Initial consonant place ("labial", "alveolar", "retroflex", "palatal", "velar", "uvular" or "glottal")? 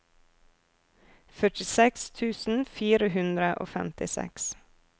labial